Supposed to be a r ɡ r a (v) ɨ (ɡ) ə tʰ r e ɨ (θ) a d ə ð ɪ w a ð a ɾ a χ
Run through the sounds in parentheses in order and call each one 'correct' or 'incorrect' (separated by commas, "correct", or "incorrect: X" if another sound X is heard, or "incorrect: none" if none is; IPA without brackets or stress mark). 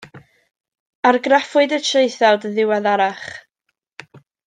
incorrect: f, incorrect: d, correct